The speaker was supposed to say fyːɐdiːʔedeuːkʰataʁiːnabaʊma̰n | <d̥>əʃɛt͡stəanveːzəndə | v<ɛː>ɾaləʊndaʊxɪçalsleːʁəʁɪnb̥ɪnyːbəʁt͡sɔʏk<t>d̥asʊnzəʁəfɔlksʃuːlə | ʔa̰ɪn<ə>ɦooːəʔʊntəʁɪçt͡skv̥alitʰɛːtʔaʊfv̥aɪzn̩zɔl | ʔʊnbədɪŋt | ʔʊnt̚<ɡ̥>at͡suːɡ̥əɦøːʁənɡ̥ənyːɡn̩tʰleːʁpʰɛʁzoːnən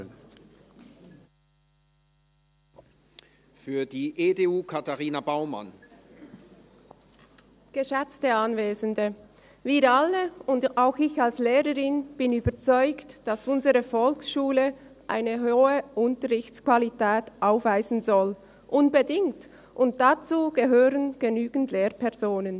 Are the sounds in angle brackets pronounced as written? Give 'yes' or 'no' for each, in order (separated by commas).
no, no, yes, yes, no